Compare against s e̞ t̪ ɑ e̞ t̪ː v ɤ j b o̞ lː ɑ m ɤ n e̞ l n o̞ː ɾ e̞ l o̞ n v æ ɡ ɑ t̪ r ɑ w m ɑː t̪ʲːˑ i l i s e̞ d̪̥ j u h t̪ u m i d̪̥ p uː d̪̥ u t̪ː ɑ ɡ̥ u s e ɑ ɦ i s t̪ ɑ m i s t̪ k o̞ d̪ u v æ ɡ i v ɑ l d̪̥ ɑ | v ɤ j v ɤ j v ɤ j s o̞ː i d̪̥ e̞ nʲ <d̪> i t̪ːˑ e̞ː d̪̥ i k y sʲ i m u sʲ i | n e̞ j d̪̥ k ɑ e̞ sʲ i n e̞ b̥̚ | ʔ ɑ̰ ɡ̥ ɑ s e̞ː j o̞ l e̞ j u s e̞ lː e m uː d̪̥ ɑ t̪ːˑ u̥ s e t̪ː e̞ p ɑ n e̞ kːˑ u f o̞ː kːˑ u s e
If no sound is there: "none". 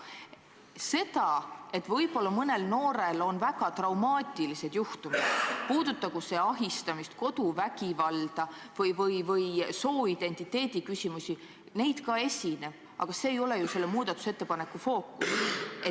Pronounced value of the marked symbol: t̪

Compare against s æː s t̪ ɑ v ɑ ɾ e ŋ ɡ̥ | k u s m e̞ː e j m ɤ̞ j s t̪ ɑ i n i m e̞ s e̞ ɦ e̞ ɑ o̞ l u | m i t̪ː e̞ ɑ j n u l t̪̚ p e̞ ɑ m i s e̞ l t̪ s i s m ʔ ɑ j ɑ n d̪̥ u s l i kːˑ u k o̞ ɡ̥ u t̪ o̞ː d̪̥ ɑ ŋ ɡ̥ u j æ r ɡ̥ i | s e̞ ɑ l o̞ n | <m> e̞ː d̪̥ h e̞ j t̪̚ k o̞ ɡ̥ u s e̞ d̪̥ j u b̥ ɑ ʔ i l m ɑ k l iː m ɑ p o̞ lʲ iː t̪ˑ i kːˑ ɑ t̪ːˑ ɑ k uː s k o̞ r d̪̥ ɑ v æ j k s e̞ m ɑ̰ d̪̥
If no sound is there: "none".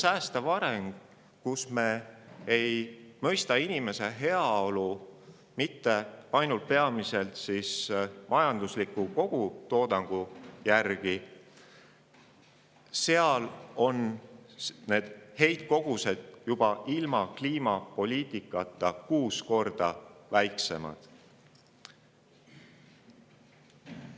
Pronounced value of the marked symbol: n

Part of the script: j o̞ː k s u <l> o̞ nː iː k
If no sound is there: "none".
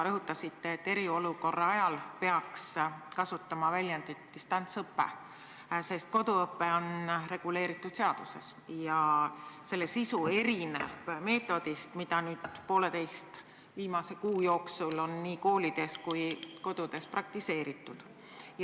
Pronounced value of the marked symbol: l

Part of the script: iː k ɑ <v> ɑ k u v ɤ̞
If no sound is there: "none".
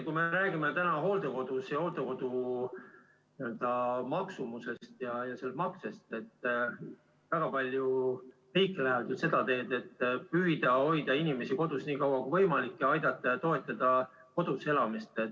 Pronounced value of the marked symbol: w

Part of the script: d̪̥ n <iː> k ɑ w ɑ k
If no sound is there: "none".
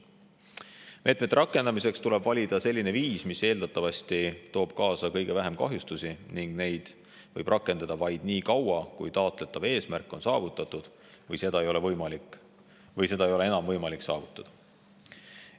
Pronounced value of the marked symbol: iː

